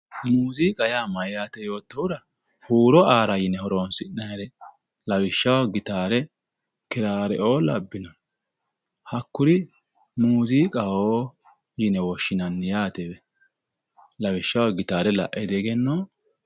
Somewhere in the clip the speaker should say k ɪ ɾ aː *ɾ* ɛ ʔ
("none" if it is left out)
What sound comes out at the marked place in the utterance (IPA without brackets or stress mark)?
ɾ